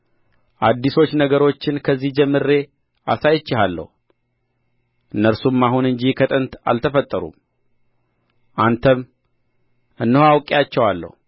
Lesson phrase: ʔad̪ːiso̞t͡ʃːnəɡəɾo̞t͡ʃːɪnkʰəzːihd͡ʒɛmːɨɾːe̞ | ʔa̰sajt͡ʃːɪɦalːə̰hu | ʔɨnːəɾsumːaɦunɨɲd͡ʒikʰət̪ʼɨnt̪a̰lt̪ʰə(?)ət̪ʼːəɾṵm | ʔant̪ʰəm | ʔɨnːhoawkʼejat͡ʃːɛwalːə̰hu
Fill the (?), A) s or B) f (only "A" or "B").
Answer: B